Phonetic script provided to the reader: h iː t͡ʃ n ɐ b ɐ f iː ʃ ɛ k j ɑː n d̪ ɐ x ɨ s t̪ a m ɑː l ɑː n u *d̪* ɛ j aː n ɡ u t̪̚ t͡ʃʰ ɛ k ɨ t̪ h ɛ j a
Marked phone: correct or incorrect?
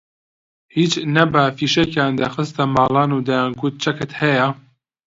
correct